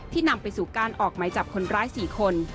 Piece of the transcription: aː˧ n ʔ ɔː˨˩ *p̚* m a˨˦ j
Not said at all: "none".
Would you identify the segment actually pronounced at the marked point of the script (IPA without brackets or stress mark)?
k̚